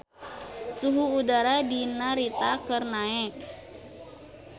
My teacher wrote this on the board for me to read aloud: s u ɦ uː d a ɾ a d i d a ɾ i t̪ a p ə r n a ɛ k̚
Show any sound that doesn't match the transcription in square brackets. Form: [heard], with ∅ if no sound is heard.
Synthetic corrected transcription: s u ɦ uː d a ɾ a d i [n] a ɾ i t̪ a [k] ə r n a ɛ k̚